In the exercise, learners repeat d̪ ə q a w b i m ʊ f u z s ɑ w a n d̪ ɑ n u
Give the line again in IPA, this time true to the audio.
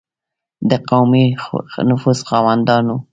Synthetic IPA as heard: d̪ ə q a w m i n ʊ f u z x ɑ w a n d̪ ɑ n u